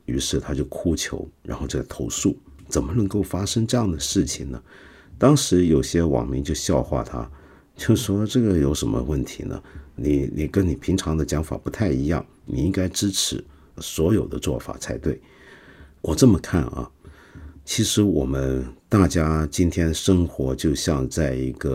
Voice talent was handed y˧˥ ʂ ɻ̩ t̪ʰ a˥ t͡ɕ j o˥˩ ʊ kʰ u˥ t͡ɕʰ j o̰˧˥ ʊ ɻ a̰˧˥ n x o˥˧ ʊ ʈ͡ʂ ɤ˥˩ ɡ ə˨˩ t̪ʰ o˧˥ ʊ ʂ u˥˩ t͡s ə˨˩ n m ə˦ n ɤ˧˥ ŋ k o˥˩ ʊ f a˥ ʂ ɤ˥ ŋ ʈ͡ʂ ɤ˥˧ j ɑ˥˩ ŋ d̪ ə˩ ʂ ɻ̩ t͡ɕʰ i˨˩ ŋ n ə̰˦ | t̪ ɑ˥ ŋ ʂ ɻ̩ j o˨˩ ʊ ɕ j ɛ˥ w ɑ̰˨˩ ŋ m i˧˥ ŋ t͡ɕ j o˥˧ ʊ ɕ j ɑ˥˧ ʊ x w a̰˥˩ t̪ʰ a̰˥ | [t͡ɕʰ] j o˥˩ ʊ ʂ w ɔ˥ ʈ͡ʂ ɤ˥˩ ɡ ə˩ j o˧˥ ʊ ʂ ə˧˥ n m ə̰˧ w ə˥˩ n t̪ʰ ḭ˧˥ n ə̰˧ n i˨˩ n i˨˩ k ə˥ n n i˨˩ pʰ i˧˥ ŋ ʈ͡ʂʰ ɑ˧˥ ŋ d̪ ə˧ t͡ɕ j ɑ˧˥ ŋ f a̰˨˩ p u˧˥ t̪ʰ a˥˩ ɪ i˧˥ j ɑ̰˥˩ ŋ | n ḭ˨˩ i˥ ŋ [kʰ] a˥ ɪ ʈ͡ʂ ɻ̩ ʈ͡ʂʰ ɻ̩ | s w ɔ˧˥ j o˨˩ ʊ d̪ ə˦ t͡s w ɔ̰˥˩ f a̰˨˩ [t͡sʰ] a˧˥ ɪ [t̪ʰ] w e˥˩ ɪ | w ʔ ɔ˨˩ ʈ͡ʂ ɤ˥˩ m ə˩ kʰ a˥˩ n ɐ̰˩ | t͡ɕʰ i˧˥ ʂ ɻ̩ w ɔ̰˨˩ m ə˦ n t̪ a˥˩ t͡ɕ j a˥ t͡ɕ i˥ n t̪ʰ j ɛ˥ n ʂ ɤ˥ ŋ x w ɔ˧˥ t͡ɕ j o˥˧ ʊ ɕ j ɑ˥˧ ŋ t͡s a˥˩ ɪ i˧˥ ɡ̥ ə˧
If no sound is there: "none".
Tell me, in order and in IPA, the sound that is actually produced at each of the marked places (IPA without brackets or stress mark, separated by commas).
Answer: t͡ɕ, k, t͡sʰ, t̪